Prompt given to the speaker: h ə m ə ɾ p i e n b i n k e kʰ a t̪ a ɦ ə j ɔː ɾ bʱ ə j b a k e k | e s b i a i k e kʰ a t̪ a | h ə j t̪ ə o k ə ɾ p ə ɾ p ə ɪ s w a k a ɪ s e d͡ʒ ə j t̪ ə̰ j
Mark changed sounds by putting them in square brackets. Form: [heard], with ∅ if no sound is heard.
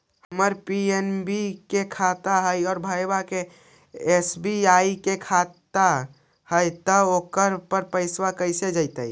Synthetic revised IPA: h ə m ə ɾ p i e n b i [∅] k e kʰ a t̪ a ɦ ə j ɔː ɾ bʱ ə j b a k e [∅] | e s b i a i k e kʰ a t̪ a | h ə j t̪ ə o k ə ɾ p ə ɾ p ə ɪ s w a k [ə] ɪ s e d͡ʒ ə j t̪ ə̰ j